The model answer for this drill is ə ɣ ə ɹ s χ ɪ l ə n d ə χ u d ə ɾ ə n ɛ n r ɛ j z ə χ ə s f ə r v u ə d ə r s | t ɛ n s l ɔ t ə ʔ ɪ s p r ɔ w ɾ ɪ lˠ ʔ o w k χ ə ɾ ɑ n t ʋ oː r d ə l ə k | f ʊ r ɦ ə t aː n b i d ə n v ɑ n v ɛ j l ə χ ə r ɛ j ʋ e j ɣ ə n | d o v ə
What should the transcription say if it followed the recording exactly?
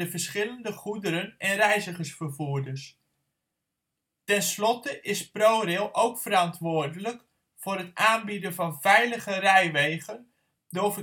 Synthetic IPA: ə v ə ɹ s χ ɪ l ə n d ə χ u d ə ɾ ə n ɛ n r ɛ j z ə χ ə s f ə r v u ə d ə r s | t ɛ n s l ɔ t ə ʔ ɪ s p r o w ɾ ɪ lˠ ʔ o w k f ə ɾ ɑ n t ʋ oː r d ə l ə k | f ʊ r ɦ ə t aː n b i d ə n v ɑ n v ɛ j l ə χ ə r ɛ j ʋ e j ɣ ə n | d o v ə